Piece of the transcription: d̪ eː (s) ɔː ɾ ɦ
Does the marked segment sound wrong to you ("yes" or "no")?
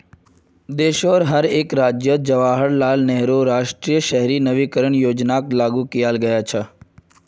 yes